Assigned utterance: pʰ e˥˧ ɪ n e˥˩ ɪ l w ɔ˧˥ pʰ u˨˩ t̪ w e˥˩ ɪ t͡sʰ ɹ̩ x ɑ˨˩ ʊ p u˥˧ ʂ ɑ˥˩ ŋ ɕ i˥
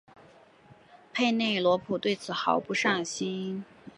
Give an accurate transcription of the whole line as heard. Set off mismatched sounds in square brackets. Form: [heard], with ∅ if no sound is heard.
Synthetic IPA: pʰ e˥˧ ɪ n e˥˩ ɪ l w ɔ˧˥ pʰ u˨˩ t̪ w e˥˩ ɪ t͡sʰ ɹ̩ x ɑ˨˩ ʊ p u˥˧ ʂ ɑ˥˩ ŋ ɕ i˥

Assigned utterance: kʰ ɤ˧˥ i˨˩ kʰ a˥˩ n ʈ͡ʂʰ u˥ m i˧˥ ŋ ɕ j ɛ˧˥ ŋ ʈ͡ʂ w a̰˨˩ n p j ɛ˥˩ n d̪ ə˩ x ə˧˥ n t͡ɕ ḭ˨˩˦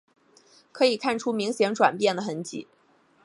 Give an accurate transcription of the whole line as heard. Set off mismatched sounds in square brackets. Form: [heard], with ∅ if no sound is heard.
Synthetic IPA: kʰ ɤ˧˥ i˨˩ kʰ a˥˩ n ʈ͡ʂʰ u˥ m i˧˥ ŋ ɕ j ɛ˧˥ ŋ ʈ͡ʂ w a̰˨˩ n p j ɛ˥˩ n d̪ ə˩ x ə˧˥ n t͡ɕ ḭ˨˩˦

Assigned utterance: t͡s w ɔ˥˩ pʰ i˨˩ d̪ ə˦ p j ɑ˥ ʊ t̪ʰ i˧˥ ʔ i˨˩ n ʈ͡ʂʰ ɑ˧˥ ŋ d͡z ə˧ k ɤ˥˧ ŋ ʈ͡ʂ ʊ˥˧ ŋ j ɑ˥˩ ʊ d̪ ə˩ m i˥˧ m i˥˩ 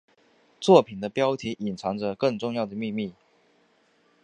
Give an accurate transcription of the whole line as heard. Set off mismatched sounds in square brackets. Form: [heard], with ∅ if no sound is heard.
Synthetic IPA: t͡s w ɔ˥˩ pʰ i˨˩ d̪ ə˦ p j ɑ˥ ʊ t̪ʰ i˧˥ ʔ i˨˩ n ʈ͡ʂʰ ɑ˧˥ ŋ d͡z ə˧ k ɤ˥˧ ŋ ʈ͡ʂ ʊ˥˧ ŋ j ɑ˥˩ ʊ d̪ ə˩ m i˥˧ m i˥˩

